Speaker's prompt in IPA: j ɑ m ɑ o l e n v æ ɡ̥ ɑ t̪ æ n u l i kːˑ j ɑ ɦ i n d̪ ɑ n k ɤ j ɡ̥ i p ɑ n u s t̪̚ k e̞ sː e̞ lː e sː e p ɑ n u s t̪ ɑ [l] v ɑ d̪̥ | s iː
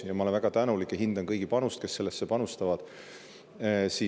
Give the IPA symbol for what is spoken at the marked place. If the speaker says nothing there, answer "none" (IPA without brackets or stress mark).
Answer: none